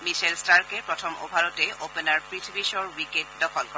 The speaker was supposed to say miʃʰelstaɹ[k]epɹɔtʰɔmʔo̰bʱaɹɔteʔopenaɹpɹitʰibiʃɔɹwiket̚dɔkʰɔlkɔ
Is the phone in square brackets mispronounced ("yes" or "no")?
no